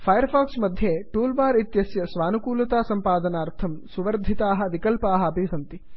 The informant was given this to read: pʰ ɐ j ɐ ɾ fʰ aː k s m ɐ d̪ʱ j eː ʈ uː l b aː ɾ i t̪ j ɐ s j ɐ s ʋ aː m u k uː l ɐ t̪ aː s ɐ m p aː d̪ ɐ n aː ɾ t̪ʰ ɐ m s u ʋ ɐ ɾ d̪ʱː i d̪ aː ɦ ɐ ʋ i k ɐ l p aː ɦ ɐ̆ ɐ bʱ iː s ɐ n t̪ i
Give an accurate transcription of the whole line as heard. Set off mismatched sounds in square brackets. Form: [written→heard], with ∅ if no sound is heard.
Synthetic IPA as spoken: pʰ ɐ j ɐ ɾ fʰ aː k s m ɐ d̪ʱ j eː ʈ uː l b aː ɾ i t̪ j ɐ s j ɐ s ʋ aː [m→n] u k uː l ɐ t̪ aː s ɐ m p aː d̪ ɐ n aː ɾ t̪ʰ ɐ m s u ʋ ɐ ɾ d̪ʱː i [d̪→t̪] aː ɦ ɐ ʋ i k ɐ l p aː ɦ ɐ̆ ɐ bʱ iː s ɐ n t̪ i